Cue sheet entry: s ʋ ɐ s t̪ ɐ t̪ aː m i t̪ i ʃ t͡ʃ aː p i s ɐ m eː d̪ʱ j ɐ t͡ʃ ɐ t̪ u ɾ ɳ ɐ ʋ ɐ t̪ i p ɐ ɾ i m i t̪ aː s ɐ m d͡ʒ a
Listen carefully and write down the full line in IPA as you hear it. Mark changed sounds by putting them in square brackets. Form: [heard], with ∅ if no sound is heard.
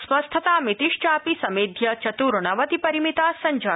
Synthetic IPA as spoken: s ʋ ɐ s [t̪ʰ] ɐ t̪ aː m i t̪ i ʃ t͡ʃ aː p i s ɐ m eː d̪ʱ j ɐ t͡ʃ ɐ t̪ u ɾ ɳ ɐ ʋ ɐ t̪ i p ɐ ɾ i m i t̪ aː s ɐ [ɲ] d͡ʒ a